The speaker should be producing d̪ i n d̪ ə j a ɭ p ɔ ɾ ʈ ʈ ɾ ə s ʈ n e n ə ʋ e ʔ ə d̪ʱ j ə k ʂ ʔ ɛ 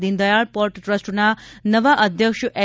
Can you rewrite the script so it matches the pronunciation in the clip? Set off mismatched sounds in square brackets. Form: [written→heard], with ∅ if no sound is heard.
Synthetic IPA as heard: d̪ i n d̪ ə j a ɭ p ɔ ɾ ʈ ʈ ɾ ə s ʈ n [e→a] n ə ʋ [e→a] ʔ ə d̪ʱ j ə k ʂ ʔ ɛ